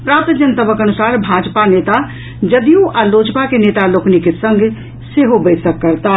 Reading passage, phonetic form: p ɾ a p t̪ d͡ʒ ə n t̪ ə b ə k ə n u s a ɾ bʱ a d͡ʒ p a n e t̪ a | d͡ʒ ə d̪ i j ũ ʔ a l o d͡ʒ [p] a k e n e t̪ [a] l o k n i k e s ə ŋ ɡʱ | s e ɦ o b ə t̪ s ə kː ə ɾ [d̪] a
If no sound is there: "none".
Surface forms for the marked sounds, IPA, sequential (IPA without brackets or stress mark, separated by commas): p, a, t̪